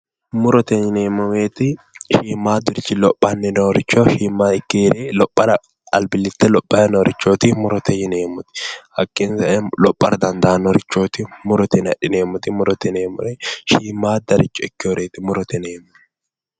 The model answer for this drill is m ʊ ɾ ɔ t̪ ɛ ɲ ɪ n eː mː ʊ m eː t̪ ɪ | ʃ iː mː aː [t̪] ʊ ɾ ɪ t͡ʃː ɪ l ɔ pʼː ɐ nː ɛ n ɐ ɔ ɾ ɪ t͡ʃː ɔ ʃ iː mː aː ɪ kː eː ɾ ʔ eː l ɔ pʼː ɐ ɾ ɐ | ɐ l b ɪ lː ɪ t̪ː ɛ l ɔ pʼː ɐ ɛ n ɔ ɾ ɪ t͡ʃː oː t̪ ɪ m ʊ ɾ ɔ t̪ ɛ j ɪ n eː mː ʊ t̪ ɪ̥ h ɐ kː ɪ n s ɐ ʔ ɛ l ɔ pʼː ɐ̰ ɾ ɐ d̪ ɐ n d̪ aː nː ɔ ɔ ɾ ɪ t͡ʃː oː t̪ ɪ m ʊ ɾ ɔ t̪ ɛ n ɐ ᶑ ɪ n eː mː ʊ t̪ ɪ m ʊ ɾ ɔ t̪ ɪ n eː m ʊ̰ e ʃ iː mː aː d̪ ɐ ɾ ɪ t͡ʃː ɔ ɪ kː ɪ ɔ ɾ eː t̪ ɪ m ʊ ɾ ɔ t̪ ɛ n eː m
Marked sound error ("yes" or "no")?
yes